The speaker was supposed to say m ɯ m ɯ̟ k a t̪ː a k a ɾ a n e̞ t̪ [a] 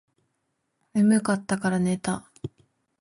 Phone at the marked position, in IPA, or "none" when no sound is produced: a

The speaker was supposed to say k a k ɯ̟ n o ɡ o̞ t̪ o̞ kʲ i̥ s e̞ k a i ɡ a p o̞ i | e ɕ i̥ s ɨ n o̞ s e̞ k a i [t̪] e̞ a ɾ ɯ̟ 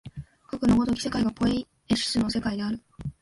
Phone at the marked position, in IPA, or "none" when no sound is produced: d̪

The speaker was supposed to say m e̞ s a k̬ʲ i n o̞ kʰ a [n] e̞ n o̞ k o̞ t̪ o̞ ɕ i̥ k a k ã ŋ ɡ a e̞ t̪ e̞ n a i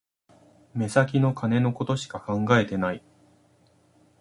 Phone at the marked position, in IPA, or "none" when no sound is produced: n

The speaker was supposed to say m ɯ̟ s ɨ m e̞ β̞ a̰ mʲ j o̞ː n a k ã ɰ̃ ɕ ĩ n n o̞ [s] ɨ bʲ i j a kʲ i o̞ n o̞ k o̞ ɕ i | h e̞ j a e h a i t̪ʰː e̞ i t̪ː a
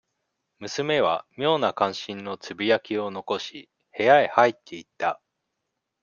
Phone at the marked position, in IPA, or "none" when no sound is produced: t͡s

